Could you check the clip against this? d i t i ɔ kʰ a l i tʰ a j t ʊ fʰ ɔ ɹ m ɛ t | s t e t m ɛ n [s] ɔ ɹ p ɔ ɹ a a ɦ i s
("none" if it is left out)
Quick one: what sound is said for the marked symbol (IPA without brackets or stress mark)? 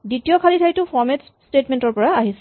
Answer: t